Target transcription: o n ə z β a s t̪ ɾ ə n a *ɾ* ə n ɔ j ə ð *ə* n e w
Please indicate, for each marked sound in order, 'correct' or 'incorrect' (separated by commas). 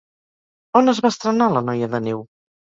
incorrect, correct